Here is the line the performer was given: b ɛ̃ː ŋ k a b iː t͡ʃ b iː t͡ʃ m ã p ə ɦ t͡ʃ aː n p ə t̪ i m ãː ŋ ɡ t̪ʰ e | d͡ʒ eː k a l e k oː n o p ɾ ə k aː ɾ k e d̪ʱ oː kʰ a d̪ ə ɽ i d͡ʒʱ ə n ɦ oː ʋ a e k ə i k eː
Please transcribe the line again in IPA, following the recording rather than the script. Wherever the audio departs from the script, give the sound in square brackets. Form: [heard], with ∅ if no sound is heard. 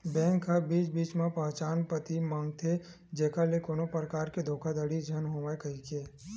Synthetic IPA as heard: b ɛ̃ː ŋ k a b iː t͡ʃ b iː t͡ʃ m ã p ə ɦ t͡ʃ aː n p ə t̪ i m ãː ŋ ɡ t̪ʰ e | d͡ʒ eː k a l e k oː n o p ɾ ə k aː ɾ k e d̪ʱ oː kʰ a d̪ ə ɽ i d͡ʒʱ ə n ɦ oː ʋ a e k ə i k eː